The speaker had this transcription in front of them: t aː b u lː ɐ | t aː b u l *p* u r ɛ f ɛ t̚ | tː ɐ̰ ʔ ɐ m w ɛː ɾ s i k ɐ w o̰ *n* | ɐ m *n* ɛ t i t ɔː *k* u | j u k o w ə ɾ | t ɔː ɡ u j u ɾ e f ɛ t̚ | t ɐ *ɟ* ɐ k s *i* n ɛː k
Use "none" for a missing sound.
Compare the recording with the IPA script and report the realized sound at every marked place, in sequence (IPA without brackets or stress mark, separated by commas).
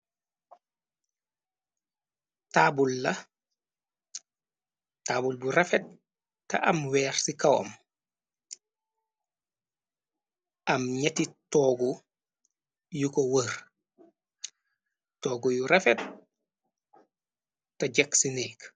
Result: b, m, ɲ, ɡ, ɟ, i